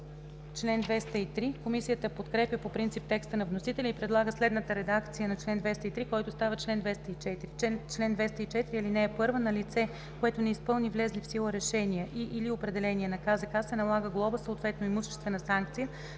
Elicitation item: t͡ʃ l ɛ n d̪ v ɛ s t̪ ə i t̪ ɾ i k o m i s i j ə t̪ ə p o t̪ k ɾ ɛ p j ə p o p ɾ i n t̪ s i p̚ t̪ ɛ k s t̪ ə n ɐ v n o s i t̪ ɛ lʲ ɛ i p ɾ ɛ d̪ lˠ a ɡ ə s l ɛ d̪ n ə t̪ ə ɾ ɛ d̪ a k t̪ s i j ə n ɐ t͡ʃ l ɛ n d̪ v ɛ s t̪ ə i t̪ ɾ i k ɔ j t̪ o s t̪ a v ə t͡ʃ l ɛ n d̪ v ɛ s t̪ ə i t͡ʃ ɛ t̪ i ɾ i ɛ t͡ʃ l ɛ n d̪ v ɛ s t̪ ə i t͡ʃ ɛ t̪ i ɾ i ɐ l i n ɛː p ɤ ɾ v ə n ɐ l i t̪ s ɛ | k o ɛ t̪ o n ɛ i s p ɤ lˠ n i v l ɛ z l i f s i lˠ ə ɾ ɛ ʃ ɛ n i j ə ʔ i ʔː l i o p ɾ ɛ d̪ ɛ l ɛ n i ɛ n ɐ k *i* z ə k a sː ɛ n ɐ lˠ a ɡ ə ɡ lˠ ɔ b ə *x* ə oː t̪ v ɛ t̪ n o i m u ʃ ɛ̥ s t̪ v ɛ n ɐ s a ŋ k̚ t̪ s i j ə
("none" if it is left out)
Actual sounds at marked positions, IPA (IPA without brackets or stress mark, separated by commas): a, s